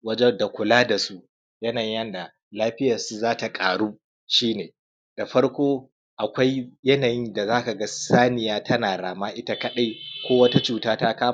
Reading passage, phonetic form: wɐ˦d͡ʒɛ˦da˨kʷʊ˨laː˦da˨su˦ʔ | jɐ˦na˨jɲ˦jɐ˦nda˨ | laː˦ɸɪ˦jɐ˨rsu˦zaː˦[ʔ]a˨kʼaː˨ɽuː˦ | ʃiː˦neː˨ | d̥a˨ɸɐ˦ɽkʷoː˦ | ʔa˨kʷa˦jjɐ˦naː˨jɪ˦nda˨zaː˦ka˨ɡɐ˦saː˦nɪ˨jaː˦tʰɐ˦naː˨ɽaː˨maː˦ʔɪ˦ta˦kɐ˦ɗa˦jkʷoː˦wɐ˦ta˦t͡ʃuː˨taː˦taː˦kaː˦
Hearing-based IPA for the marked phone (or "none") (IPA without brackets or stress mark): t